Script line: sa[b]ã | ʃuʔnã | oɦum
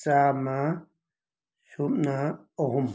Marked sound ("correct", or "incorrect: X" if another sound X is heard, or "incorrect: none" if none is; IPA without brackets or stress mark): incorrect: m